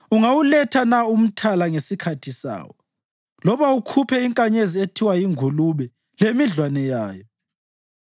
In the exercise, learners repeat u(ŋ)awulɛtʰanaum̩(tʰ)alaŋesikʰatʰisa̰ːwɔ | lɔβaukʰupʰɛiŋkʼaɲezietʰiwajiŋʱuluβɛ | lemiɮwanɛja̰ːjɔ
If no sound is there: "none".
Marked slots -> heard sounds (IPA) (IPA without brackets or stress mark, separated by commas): ŋ, tʰ